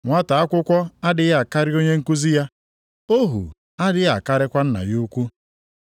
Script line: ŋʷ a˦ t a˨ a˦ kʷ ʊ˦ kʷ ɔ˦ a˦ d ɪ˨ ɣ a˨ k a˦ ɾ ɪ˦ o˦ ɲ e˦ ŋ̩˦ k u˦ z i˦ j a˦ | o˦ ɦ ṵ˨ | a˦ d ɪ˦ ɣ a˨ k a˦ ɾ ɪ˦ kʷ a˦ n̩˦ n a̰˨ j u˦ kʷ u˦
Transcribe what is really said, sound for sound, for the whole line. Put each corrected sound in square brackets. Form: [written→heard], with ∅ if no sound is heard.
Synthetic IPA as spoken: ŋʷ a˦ t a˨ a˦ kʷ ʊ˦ kʷ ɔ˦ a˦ d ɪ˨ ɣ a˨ k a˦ ɾ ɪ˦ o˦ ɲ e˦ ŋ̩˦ k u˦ z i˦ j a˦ | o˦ ɦ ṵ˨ | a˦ d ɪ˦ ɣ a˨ k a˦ ɾ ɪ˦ kʷ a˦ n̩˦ n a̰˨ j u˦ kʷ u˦